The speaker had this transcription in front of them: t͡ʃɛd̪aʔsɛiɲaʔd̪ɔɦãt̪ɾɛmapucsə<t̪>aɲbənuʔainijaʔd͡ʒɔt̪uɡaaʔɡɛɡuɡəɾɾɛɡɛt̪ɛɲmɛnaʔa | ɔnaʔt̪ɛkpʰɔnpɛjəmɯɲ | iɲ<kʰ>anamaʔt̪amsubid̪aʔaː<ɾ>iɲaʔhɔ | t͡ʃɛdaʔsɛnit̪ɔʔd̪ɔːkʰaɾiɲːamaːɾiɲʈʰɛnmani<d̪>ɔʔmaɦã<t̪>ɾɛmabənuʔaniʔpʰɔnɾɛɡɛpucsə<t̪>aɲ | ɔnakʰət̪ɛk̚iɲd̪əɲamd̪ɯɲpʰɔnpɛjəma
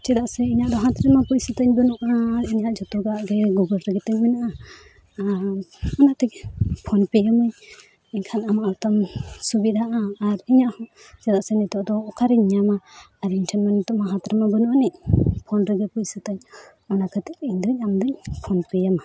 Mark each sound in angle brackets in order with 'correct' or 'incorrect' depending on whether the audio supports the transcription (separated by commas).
correct, correct, correct, incorrect, correct, correct